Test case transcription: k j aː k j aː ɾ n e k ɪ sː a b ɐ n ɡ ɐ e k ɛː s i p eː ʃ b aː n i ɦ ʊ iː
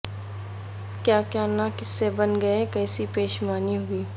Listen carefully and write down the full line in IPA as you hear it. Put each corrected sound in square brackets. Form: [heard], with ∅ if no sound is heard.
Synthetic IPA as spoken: k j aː k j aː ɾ n [a] k ɪ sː [e] b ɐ n ɡ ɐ e k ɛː s i p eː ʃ [m] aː n i ɦ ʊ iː